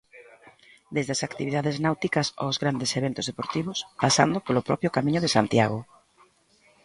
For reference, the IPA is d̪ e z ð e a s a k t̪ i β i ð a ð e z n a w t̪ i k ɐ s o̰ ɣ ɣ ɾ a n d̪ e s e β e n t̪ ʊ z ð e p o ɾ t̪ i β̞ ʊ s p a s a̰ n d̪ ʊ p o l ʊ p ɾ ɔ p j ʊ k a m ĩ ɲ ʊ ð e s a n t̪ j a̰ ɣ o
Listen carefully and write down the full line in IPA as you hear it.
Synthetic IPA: d̪ e z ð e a s a k t̪ i β i ð a ð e z n a w t̪ i k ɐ s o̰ z ɣ ɾ a n d̪ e s e β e n t̪ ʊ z ð e p o ɾ t̪ i β̞ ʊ s p a s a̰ n d̪ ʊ p o l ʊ p ɾ ɔ p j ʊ k a m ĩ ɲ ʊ ð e s a n t̪ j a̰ ɣ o

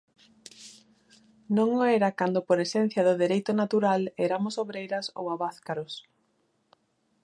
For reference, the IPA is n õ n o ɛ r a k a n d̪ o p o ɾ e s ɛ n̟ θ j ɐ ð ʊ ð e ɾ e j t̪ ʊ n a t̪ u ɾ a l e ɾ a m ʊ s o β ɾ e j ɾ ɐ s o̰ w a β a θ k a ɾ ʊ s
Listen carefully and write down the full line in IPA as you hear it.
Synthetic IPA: n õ ŋ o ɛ ɾ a k a n d̪ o p o ɾ e s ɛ n̟ θ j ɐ ð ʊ ð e ɾ e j t̪ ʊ n a t̪ u ɾ a l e ɾ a m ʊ s o β ɾ e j ɾ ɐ s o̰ w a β a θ k a ɾ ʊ s

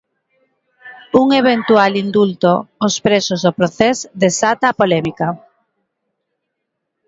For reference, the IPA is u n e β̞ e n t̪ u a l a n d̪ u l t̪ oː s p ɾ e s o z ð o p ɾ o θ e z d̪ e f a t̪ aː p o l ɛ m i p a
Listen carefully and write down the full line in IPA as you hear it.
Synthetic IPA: u ŋ e β̞ e n t̪ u a l i n d̪ u l t̪ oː s p ɾ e s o z ð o p ɾ o θ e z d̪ e s a t̪ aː p o l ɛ m i k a

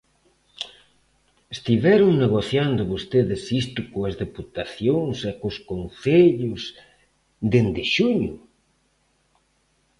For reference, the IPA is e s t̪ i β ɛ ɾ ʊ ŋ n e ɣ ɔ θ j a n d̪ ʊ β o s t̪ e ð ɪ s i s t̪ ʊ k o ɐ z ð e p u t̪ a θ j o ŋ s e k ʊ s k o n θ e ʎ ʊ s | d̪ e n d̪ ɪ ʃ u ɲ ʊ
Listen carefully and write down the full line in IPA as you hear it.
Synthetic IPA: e s t̪ i β ɛ ɾ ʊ ŋ n e ɣ o θ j a n d̪ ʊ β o s t̪ e ð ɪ s i s t̪ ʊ k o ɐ z ð e p u t̪ a θ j o ŋ s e k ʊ s k o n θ e ʎ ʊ s | d̪ e n d̪ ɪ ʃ u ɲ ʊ

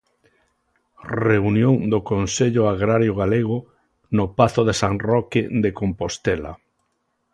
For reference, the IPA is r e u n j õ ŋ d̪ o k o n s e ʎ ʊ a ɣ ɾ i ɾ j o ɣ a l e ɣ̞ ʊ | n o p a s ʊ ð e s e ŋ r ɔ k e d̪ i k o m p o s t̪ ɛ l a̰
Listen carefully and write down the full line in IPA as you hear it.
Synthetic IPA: r e u n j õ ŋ d̪ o k o n s e ʎ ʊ a ɣ ɾ a ɾ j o ɣ a l e ɣ̞ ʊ | n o p a θ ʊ ð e s a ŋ r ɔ k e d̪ e k o m p o s t̪ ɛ l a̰

